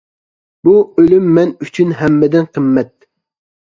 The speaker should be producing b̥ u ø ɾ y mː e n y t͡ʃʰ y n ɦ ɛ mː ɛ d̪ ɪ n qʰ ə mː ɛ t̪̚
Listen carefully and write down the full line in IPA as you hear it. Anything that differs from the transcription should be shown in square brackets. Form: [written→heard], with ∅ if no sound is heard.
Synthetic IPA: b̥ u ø [ɾ→l] y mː [e→ɛ] n y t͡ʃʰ y n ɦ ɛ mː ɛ d̪ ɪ n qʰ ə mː ɛ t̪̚